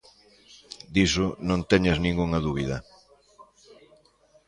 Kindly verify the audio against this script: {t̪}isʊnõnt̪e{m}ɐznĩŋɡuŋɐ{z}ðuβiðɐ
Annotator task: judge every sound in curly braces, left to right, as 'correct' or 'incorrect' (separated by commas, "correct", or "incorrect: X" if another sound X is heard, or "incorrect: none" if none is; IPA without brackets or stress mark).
incorrect: d̪, incorrect: ɲ, incorrect: none